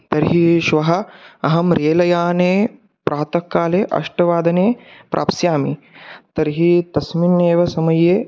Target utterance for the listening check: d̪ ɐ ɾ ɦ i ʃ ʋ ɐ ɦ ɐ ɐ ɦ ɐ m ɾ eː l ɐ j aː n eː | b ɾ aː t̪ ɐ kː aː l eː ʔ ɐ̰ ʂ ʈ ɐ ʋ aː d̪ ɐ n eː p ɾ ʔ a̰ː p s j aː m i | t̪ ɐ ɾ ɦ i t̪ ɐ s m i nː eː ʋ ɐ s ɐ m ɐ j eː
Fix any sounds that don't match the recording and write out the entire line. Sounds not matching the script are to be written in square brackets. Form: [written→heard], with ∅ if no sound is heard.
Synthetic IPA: [d̪→t̪] ɐ ɾ ɦ i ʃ ʋ ɐ ɦ ɐ ɐ ɦ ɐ m ɾ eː l ɐ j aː n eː | [b→p] ɾ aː t̪ ɐ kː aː l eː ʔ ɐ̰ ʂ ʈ ɐ ʋ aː d̪ ɐ n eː p ɾ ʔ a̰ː p s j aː m i | t̪ ɐ ɾ ɦ i t̪ ɐ s m i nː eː ʋ ɐ s ɐ m ɐ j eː